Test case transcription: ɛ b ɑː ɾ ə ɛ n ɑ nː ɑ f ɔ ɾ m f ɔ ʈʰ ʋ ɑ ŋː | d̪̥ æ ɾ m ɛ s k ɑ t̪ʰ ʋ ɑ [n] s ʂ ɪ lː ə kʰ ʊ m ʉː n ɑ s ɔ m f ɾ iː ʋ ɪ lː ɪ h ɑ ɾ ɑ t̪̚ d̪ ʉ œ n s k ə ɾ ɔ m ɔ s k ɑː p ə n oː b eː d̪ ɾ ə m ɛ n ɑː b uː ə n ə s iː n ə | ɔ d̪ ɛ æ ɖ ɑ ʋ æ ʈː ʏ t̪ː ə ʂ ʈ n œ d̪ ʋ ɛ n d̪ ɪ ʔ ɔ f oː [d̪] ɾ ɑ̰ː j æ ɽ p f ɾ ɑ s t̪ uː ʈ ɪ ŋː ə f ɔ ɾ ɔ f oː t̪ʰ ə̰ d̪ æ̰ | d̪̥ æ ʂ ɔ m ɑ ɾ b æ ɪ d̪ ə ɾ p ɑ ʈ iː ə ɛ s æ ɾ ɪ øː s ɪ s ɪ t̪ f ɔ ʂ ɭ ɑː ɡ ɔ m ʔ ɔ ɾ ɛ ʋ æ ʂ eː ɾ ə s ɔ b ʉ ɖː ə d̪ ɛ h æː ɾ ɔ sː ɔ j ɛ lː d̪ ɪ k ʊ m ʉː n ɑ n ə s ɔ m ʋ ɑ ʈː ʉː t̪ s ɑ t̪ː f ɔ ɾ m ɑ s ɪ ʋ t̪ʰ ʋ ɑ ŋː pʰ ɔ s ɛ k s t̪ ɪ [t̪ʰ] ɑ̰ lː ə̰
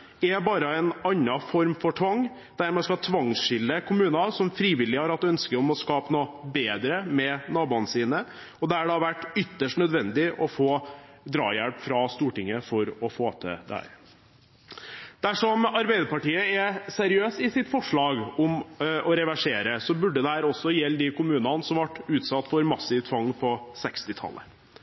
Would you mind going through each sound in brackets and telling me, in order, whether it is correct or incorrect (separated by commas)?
incorrect, correct, correct